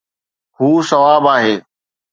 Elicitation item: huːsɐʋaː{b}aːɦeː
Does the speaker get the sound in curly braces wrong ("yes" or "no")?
no